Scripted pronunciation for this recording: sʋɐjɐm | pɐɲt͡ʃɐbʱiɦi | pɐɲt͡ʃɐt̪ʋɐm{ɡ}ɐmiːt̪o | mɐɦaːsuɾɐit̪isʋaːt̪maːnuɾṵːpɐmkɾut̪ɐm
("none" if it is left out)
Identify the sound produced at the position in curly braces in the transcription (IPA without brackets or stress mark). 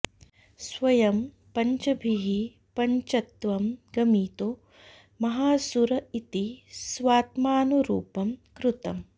ɡ